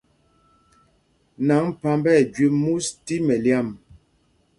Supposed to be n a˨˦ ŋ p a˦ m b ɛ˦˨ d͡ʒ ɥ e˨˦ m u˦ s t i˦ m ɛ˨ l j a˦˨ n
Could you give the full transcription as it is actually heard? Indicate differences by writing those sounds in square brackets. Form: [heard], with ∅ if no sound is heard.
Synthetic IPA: n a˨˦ ŋ p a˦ m b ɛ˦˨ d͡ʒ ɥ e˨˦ m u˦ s t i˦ m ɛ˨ l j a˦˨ [m]